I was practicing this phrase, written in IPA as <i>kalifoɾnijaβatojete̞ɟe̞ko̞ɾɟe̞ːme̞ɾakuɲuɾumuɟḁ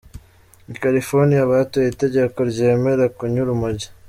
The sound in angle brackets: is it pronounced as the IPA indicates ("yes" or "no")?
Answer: yes